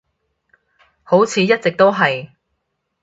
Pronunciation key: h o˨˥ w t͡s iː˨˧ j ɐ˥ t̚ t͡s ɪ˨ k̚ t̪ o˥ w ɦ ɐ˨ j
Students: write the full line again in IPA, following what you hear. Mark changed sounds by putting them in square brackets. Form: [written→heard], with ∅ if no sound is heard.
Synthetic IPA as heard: h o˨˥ w [t͡s→t͡sʰ] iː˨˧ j ɐ˥ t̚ t͡s ɪ˨ k̚ t̪ o˥ w ɦ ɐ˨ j